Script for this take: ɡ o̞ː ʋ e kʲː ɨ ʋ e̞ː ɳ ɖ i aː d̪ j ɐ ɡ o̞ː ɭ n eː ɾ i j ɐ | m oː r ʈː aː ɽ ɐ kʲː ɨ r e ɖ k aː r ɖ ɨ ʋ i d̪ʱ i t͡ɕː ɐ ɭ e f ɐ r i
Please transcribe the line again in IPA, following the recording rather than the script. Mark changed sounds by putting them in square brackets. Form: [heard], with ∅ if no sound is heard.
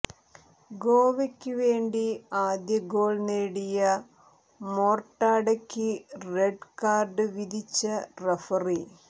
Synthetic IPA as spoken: ɡ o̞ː ʋ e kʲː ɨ ʋ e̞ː ɳ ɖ i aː d̪ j ɐ ɡ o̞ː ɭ n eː [ɽ] i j ɐ | m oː r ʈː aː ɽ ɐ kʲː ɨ r e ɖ k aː r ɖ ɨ ʋ i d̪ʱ i t͡ɕː ɐ [r] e f ɐ r i